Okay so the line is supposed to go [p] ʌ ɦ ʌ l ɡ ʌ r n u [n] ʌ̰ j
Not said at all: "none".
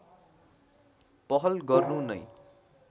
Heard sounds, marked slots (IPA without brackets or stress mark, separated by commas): p, n